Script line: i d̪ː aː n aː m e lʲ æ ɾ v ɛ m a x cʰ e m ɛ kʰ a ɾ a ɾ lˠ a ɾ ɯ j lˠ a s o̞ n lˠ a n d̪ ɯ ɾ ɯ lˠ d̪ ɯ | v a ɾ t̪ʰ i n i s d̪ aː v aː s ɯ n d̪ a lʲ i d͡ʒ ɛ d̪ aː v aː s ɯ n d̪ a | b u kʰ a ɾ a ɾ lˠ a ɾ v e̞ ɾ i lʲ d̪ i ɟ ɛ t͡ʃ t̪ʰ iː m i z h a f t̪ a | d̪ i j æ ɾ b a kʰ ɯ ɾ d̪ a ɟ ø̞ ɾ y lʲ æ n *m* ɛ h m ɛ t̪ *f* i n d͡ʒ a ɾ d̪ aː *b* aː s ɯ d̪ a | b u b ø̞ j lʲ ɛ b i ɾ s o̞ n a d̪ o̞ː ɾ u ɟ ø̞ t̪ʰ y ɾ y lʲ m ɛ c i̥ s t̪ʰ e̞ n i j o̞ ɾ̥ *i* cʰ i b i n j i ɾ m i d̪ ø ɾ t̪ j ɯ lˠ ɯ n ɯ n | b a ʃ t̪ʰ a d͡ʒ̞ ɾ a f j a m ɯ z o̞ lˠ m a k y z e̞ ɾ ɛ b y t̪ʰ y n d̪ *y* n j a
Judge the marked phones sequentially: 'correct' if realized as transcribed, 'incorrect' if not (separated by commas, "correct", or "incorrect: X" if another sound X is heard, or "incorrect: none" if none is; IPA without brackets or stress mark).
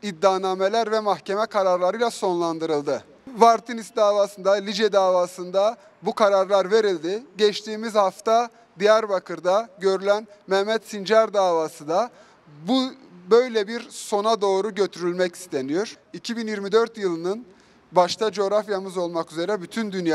correct, incorrect: s, incorrect: v, correct, correct